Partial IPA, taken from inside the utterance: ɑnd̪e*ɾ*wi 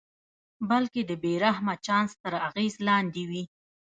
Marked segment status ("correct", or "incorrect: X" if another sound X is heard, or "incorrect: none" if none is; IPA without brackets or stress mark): incorrect: none